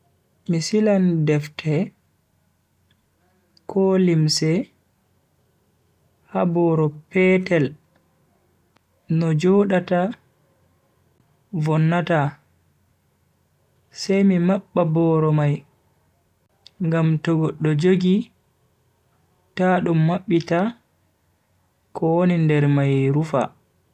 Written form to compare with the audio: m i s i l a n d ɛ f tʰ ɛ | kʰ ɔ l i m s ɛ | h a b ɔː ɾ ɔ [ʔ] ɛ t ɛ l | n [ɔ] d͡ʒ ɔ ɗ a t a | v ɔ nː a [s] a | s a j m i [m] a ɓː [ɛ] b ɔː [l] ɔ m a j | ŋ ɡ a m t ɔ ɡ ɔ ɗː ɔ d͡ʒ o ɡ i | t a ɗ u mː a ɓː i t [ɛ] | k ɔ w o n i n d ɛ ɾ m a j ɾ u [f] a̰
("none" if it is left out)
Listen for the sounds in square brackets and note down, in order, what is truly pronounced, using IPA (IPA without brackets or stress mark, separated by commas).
p, ɔ, t, m, a, ɾ, a, f